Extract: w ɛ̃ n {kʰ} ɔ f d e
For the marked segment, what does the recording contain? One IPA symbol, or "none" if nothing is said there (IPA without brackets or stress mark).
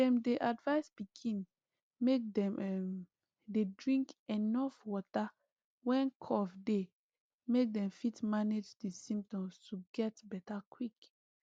kʰ